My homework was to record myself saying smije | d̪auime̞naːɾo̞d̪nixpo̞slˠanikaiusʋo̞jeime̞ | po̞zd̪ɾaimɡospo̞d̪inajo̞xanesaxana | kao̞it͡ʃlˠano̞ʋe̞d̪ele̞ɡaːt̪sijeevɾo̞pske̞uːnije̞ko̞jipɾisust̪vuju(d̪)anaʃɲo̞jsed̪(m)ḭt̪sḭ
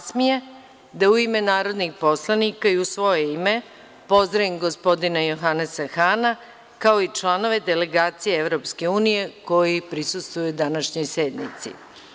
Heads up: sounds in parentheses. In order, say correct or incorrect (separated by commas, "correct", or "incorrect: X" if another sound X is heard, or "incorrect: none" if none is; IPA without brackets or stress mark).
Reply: correct, incorrect: n